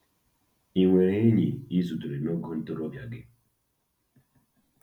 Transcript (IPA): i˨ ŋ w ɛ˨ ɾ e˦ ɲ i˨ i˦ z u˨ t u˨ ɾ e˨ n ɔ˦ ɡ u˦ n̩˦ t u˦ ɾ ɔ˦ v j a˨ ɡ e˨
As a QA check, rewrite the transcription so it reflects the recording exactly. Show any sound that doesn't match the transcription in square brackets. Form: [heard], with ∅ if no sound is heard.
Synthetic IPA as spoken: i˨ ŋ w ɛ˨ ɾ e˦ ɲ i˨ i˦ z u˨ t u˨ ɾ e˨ n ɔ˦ ɡ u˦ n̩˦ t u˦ ɾ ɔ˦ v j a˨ ɡ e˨